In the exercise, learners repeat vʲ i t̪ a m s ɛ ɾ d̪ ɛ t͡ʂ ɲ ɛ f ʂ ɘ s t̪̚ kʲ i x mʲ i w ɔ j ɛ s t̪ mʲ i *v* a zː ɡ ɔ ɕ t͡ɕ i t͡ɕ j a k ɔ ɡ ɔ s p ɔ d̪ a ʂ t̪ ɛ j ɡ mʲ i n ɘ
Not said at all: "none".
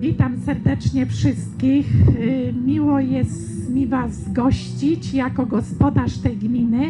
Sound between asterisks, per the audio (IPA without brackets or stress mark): v